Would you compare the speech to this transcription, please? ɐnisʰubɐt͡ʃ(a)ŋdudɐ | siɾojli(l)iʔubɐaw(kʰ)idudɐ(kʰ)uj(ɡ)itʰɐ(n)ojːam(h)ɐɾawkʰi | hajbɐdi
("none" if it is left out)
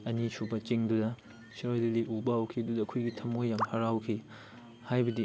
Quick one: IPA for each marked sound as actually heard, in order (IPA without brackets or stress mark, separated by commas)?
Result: i, l, kʰ, kʰ, ɡ, m, h